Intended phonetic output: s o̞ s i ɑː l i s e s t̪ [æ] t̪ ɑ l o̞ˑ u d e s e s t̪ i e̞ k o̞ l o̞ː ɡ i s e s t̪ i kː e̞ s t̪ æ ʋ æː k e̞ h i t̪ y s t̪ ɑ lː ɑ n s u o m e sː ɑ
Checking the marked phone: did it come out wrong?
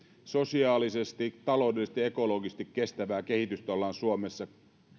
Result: yes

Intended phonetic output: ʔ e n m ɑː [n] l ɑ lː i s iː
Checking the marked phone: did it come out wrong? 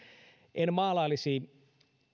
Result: yes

